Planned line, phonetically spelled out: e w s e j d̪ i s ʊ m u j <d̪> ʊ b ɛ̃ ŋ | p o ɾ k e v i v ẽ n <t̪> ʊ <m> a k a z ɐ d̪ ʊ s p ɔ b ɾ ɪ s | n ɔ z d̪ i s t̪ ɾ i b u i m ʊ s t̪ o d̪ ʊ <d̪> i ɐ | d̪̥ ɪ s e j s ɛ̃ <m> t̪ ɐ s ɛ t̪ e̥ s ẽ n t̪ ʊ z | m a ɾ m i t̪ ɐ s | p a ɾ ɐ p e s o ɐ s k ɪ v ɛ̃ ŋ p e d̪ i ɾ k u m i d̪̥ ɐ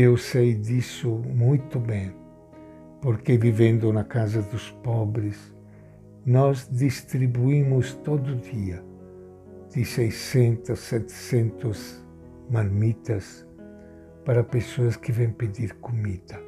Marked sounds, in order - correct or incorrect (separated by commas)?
incorrect, incorrect, incorrect, correct, incorrect